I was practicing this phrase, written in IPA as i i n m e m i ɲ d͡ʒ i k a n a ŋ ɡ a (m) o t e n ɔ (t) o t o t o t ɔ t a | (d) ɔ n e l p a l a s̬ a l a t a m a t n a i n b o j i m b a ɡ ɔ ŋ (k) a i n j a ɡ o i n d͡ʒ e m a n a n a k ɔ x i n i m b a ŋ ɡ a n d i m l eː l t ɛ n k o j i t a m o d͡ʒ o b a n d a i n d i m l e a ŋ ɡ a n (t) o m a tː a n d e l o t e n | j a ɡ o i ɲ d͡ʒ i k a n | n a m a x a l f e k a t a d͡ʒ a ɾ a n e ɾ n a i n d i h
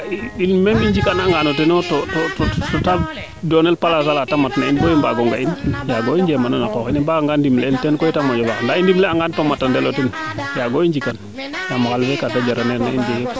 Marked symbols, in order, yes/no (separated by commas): no, yes, yes, no, yes